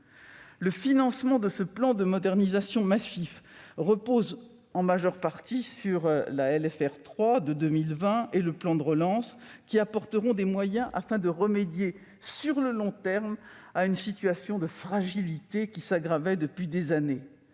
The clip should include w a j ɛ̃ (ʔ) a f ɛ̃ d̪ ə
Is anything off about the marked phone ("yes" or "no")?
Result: no